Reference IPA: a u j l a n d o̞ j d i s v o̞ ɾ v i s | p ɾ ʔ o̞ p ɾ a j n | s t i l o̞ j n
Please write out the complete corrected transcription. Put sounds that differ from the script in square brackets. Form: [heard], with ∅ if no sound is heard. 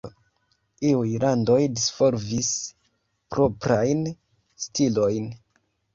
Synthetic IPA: [i] u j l a n d o̞ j d i s [f] o̞ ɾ v i s | p ɾ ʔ o̞ p ɾ a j n | s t i l o̞ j n